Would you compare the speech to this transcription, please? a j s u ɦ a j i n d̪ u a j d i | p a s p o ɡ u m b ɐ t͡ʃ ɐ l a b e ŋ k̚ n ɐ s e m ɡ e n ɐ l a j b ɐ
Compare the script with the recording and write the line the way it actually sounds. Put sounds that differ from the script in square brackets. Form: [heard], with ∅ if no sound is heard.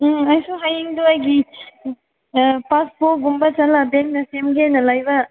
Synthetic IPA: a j s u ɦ a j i [ŋ] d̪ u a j [ɡ] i | p a s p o ɡ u m b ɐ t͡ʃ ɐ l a b e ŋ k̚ n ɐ s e m ɡ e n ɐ l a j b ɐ